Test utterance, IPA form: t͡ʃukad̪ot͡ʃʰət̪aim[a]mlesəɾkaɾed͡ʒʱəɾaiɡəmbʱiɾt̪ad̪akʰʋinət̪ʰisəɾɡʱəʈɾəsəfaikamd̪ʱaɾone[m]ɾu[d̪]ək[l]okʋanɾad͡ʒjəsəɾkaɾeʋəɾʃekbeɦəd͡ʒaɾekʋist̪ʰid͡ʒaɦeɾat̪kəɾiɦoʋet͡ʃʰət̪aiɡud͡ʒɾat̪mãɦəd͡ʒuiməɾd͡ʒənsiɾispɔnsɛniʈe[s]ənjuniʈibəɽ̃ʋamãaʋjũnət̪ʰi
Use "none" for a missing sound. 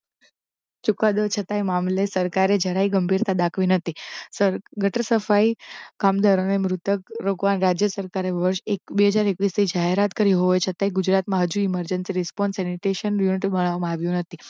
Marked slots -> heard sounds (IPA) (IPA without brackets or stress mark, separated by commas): a, m, t̪, ɾ, ʃ